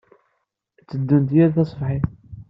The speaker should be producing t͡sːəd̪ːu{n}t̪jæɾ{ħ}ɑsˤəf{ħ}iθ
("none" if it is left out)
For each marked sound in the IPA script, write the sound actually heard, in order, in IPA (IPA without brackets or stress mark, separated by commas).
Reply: n, θ, ħ